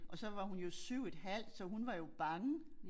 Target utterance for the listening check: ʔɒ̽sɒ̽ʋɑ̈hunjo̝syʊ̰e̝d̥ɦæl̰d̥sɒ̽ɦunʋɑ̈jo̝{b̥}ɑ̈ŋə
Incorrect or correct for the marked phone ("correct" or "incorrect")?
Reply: correct